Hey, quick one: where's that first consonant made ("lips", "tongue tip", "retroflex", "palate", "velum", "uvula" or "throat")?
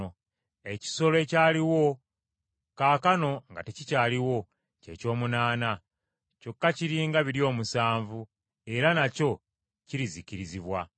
palate